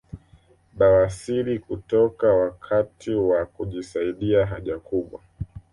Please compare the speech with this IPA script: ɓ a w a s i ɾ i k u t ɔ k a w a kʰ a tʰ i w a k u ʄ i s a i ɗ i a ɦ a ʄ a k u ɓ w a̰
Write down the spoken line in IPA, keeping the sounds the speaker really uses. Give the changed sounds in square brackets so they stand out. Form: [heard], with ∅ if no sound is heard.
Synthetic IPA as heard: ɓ a w a s i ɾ i k u t ɔ k a w a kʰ a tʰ i w a k u ʄ i s a i ɗ i a ɦ a ʄ a k u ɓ w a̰